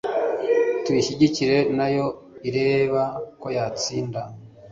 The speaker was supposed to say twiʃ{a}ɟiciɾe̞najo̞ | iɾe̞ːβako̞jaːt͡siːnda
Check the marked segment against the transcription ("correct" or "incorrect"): incorrect